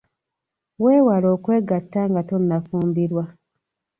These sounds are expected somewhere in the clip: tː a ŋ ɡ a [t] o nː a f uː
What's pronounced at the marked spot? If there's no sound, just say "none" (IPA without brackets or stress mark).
t